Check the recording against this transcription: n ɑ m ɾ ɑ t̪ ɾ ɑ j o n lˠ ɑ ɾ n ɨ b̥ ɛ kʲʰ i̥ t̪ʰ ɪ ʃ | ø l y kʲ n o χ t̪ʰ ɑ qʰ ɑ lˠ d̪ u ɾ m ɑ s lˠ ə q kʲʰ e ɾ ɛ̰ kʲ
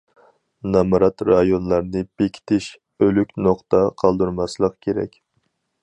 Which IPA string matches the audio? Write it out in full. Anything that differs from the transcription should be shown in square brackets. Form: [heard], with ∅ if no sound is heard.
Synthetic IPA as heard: n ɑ m ɾ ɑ t̪ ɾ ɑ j o n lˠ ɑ ɾ n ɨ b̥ [e] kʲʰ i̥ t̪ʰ ɪ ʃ | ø l y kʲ n o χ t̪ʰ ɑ qʰ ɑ lˠ d̪ u ɾ m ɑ s lˠ ə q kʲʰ e ɾ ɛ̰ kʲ